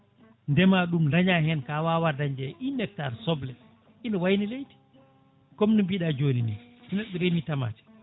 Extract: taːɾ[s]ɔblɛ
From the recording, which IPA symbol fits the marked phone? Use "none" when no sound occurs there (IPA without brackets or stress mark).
s